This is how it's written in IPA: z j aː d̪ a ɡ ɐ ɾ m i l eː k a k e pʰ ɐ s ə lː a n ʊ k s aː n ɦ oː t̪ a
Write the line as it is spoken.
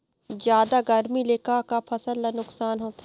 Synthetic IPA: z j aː d̪ a ɡ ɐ ɾ m i l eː k a k a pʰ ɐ s ə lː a n ʊ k s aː n ɦ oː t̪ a